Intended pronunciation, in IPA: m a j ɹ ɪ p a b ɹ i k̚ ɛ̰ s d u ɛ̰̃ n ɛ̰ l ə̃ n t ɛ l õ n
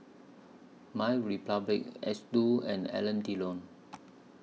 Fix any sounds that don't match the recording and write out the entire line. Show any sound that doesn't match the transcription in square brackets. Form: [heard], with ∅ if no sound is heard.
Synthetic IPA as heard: m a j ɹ [i] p a b [l] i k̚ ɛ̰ s d u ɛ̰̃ n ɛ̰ l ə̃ n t [i] l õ n